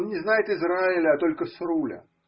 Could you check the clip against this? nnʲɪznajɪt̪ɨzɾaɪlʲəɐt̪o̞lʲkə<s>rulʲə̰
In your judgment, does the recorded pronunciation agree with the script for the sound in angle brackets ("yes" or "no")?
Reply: yes